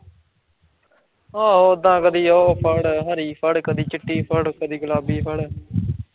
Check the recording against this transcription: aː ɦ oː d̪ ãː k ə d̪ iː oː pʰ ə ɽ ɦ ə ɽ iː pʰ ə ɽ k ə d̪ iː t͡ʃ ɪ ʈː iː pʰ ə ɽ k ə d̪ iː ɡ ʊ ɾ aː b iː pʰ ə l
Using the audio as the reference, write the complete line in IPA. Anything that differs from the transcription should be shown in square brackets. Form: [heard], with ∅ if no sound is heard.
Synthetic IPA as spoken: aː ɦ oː d̪ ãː k ə d̪ iː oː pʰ ə ɽ ɦ ə [ɾ] iː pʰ ə ɽ k ə d̪ iː t͡ʃ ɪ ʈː iː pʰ ə ɽ k ə d̪ iː ɡ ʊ [l] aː b iː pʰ ə [ɽ]